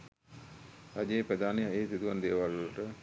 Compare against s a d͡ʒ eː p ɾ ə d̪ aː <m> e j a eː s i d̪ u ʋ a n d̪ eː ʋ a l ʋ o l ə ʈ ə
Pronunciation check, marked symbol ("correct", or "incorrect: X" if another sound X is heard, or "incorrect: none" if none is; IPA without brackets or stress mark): incorrect: n